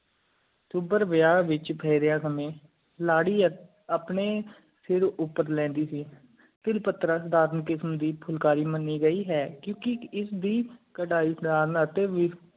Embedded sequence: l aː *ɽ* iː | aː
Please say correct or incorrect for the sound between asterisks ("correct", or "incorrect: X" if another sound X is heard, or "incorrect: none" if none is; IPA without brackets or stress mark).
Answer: correct